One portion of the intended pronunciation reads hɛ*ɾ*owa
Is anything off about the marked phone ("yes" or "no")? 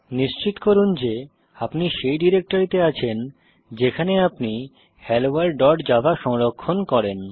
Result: yes